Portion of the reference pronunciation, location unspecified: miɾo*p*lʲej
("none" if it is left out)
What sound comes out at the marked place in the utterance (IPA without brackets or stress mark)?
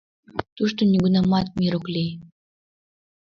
k